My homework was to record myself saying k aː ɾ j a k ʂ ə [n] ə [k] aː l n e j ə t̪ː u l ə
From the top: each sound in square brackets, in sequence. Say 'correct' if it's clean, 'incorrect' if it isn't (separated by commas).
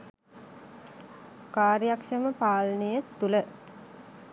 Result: incorrect, incorrect